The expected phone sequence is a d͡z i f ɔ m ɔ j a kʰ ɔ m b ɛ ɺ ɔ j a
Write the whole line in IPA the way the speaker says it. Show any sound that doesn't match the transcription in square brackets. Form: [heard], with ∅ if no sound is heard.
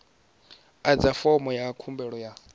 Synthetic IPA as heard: a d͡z [a] f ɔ m ɔ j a kʰ [u] m b ɛ ɺ ɔ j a